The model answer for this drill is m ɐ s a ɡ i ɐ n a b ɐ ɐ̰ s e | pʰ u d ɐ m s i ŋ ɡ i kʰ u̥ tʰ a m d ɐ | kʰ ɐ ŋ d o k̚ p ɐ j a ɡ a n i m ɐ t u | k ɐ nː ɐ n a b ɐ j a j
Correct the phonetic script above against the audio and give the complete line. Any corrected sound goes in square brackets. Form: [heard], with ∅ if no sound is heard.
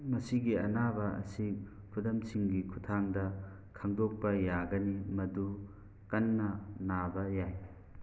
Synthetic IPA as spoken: m ɐ s [i] ɡ i ɐ n a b ɐ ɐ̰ s [i] | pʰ u d ɐ m s i ŋ ɡ i kʰ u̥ tʰ a [ŋ] d ɐ | kʰ ɐ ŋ d o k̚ p ɐ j a ɡ [ɐ] n i m ɐ [d] u | k ɐ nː ɐ n a b ɐ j a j